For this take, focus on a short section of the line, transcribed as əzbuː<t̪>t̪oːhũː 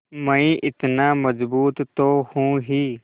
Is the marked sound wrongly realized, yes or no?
no